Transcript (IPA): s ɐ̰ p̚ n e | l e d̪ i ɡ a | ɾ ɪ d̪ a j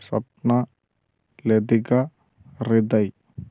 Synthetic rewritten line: s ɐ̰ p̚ n a | l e d̪ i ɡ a | ɾ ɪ d̪ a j